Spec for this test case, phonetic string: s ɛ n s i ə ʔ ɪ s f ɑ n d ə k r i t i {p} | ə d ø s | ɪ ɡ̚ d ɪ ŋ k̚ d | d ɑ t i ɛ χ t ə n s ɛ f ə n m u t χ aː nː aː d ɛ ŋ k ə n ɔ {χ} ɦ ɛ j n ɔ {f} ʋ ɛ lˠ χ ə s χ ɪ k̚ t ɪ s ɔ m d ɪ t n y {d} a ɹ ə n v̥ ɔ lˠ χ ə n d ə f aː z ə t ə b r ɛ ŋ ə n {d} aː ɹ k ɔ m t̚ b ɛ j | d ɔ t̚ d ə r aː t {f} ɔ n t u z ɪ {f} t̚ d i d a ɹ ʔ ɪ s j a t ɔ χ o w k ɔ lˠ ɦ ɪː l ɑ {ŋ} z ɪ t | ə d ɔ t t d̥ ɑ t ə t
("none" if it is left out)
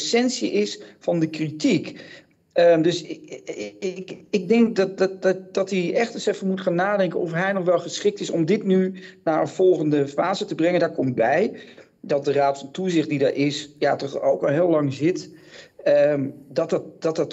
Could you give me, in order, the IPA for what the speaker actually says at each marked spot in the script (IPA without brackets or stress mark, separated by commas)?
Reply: k, f, χ, n, d, f, χ, ŋ